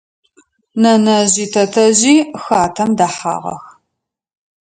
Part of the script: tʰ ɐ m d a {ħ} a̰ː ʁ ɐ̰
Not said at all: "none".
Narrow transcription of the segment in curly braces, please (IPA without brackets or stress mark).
ħ